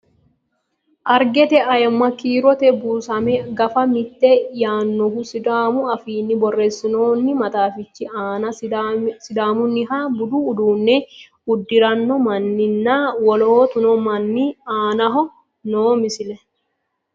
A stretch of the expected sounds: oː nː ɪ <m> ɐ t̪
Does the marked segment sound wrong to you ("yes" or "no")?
no